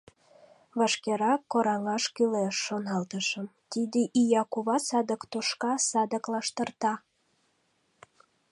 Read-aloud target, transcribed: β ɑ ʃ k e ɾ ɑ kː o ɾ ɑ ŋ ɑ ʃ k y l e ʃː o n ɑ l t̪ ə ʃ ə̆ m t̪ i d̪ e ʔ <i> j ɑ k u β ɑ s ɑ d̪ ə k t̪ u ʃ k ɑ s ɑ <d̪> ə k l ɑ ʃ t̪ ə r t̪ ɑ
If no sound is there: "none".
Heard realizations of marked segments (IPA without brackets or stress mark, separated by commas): i, d̪